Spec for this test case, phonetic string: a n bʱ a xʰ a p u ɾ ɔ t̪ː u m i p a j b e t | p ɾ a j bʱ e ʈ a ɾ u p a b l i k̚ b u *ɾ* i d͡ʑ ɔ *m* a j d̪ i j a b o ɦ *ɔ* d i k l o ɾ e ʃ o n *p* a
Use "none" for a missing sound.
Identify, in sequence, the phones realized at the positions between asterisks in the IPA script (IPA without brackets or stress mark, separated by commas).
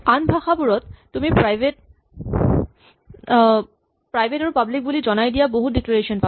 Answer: l, n, u, p